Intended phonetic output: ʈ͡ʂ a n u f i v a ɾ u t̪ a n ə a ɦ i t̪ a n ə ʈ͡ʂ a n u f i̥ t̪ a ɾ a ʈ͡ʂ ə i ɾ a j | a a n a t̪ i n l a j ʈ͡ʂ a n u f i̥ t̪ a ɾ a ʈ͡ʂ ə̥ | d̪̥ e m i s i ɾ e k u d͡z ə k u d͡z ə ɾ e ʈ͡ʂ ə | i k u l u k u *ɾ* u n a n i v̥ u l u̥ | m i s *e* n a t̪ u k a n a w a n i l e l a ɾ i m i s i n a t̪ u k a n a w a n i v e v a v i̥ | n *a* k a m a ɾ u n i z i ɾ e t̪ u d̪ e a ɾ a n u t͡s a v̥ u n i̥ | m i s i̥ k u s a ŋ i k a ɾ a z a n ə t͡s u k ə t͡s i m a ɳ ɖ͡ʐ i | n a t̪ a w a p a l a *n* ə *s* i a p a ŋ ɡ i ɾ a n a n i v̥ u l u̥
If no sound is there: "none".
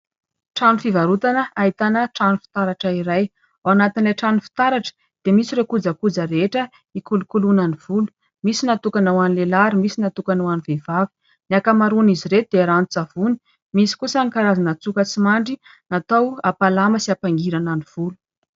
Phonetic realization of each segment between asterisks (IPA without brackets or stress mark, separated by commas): l, i, a, m, s